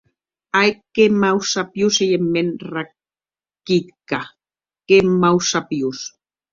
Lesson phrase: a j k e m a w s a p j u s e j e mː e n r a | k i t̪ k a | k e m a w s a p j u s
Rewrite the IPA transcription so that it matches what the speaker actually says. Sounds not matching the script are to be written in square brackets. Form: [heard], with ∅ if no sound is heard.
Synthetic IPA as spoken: a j k e m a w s a p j u s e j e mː e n r a | k i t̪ k a | k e m a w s a p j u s